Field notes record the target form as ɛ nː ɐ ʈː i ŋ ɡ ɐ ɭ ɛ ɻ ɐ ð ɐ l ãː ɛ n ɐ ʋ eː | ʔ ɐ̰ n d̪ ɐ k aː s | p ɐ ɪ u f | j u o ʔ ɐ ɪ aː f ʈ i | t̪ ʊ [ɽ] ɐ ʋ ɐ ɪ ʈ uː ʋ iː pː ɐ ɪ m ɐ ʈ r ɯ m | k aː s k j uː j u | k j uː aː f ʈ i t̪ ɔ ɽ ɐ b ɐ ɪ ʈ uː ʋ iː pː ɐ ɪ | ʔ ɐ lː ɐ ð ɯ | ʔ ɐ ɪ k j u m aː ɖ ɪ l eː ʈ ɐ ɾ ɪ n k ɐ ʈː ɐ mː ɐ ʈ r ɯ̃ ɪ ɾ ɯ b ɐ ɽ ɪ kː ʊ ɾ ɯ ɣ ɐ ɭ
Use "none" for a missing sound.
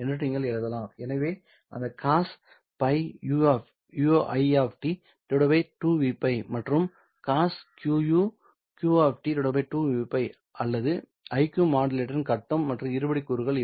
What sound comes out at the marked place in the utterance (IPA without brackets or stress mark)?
ɽ